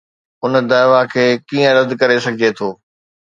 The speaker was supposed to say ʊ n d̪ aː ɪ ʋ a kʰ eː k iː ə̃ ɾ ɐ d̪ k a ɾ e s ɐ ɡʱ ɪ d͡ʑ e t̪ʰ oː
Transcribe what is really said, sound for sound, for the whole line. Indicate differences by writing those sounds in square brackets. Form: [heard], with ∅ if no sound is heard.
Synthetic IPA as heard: ʊ n d̪ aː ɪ ʋ a kʰ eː k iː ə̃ ɾ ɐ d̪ k [ɐ] ɾ e s ɐ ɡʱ ɪ d͡ʑ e t̪ʰ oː